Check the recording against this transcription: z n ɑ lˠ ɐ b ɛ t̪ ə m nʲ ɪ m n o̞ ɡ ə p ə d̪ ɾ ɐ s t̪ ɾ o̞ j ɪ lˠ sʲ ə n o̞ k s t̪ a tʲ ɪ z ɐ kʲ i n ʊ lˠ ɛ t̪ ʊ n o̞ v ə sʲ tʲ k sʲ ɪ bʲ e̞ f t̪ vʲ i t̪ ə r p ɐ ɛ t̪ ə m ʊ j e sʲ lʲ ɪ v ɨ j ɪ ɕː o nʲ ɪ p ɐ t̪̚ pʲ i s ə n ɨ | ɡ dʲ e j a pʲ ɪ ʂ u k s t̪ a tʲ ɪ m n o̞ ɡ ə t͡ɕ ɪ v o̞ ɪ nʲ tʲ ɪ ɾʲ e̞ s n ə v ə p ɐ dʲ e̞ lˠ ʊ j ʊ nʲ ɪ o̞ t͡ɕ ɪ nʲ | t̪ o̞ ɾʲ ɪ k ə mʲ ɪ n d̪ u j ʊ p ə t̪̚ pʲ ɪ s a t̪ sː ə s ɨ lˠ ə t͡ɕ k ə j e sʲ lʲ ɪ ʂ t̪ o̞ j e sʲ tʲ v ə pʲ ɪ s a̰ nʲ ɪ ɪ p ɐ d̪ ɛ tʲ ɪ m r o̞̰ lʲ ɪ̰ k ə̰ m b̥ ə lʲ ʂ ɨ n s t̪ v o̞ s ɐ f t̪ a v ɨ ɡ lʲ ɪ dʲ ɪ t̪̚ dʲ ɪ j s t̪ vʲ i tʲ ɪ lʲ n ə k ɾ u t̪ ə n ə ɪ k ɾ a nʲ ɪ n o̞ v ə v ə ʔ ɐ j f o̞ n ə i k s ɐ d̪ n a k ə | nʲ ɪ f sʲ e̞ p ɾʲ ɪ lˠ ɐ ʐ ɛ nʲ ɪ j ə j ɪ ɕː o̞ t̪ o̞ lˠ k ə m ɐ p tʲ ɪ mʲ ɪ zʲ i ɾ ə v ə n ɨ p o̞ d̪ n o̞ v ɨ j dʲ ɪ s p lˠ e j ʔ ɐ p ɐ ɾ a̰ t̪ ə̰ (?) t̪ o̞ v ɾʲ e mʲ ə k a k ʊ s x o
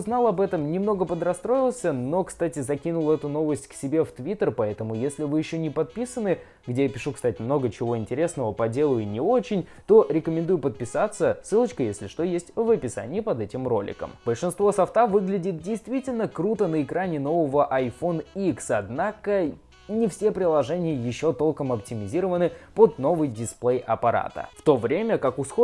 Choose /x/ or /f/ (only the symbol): f